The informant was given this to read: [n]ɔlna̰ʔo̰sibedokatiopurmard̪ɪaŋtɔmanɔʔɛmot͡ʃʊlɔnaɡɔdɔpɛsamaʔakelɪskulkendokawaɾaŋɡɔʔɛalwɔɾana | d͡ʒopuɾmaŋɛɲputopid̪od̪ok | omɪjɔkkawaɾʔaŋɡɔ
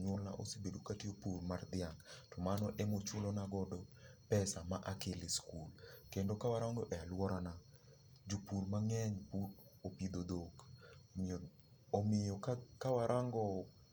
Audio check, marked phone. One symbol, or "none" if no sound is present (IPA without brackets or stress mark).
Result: ɲ